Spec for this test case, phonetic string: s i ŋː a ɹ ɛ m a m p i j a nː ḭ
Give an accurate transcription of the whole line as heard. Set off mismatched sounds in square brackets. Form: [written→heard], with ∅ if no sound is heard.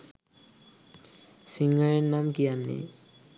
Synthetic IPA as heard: s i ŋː a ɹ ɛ [m→n] a m [p→k] i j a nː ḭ